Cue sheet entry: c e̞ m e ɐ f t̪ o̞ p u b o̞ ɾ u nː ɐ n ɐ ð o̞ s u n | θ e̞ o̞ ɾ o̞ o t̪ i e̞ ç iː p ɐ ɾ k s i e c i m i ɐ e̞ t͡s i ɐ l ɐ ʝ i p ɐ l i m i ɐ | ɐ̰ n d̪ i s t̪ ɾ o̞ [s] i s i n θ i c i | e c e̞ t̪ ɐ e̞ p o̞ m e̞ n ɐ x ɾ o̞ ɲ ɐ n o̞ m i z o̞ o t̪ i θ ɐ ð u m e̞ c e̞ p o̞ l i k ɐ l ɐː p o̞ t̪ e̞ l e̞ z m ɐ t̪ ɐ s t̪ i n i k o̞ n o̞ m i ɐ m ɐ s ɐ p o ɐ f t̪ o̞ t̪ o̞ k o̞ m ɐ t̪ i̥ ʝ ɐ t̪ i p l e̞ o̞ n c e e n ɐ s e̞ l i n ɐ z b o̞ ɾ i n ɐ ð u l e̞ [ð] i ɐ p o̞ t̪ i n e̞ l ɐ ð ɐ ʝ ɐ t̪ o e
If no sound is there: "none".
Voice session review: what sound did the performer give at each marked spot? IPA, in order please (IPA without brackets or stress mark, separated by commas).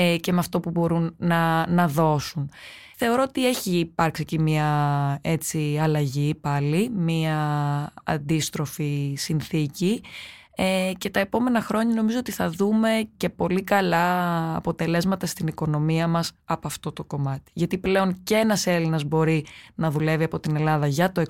f, v